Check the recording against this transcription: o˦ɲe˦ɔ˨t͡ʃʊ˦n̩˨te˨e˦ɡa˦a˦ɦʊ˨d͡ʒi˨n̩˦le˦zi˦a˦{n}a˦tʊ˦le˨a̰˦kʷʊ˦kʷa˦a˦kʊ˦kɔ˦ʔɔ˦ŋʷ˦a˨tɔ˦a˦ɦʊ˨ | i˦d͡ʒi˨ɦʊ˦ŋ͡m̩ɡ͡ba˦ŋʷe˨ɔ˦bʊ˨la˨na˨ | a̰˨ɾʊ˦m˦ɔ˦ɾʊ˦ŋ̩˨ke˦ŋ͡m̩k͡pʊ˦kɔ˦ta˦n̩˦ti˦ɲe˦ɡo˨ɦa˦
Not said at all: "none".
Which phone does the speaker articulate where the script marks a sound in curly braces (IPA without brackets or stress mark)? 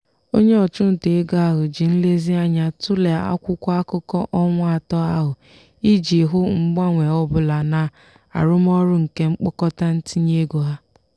ɲ